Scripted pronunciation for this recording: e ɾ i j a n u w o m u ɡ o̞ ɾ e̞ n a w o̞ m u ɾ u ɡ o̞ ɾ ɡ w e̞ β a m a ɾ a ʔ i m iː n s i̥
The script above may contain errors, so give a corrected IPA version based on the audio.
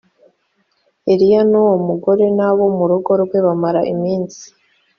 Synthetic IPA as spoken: e ɾ i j a n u w o m u ɡ o̞ ɾ e̞ n a β o̞ m u ɾ u ɡ o̞ ɾ ɡ w e̞ β a m a ɾ a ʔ i m iː n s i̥